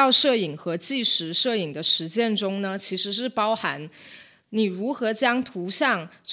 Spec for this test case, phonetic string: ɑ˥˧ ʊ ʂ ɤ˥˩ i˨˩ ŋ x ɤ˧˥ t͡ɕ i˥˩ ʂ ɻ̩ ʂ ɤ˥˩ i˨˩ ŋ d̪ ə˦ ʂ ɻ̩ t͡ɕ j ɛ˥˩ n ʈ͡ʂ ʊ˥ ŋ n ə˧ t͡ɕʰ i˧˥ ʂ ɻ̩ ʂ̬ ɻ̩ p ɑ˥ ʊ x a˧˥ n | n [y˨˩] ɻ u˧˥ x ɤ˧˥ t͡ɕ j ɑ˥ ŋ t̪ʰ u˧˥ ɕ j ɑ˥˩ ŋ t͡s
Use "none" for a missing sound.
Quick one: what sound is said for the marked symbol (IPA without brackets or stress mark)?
i˨˩